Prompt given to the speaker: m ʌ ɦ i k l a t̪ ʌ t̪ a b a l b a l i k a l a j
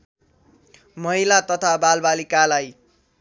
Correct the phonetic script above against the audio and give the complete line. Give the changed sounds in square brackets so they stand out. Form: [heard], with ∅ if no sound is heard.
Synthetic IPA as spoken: m ʌ ɦ i [∅] l a t̪ ʌ [t̪ʰ] a b a l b a l i k a l a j